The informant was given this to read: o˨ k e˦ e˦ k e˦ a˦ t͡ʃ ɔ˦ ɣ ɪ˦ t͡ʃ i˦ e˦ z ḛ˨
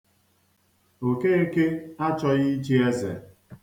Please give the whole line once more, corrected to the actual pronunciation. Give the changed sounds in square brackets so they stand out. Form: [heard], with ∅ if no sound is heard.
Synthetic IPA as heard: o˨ k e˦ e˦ k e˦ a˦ t͡ʃ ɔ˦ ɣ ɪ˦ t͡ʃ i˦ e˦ z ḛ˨